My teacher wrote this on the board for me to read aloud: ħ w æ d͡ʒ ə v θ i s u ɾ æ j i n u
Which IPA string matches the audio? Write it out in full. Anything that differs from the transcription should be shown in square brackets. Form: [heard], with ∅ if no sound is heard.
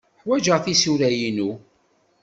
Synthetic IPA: ħ w æ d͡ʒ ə [ʁ] θ i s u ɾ æ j i n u

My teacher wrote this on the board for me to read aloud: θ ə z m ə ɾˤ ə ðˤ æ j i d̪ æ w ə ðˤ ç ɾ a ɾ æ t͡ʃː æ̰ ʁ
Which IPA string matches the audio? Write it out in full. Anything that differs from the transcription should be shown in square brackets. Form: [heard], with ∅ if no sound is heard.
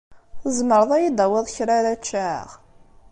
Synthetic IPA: θ ə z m ə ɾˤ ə ðˤ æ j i d̪ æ w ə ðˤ ç ɾ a ɾ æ t͡ʃː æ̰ ʁ

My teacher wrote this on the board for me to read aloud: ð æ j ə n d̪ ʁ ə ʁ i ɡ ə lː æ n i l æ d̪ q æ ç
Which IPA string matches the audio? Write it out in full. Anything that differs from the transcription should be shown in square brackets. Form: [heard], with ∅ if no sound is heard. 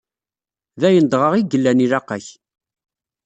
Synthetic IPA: ð æ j ə n d̪ ʁ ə ʁ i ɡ ə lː æ n i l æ [∅] q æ ç

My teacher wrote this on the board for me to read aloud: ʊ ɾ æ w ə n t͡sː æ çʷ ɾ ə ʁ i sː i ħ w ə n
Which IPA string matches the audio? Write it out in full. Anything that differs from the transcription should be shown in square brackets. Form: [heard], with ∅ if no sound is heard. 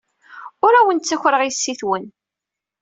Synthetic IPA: ʊ ɾ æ w ə n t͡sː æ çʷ ɾ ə ʁ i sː i [θ] w ə n

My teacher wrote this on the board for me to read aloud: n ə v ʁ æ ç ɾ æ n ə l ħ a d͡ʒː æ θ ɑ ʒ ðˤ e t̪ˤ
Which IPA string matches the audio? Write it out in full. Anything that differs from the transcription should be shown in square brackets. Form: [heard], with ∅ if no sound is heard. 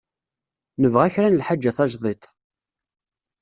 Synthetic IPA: n ə v ʁ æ ç ɾ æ n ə l ħ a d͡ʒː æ θ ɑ ʒ ðˤ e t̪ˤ

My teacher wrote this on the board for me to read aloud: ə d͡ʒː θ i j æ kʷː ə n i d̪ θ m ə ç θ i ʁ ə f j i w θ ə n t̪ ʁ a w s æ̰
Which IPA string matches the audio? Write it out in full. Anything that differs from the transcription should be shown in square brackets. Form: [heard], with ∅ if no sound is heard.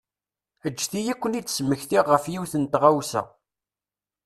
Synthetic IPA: ə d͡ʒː θ i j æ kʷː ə n i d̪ [s] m ə ç θ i ʁ ə f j i w θ ə n t̪ ʁ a w s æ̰

